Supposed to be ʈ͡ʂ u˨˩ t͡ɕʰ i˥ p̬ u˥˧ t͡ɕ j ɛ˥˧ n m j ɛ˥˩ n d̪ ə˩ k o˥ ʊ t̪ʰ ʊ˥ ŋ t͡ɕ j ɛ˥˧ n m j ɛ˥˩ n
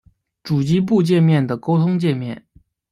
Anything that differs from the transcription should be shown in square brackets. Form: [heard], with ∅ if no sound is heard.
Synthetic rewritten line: ʈ͡ʂ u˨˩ [t͡ɕ] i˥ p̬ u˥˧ t͡ɕ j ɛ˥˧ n m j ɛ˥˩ n d̪ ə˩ k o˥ ʊ t̪ʰ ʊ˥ ŋ t͡ɕ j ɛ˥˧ n m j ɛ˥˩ n